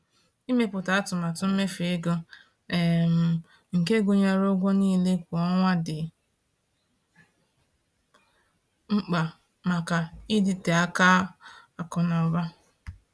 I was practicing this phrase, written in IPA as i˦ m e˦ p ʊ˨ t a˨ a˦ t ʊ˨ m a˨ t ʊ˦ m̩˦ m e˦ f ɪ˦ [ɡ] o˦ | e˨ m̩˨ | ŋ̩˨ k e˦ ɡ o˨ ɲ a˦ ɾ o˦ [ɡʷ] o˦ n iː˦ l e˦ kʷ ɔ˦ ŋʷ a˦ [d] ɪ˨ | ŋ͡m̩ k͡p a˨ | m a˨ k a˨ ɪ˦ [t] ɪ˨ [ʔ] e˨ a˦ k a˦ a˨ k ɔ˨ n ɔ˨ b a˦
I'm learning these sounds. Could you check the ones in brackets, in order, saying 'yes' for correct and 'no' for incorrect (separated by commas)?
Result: yes, yes, yes, no, no